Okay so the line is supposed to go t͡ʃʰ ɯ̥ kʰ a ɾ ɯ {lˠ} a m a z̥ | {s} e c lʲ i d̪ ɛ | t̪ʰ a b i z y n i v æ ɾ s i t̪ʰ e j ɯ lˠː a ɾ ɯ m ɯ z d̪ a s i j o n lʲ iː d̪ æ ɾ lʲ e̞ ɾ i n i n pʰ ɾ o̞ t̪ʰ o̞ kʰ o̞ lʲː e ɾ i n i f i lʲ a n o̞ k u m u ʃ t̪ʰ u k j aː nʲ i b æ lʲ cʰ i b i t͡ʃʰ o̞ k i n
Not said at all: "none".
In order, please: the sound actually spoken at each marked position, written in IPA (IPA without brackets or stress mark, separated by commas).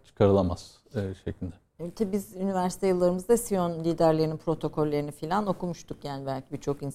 lˠ, ʃ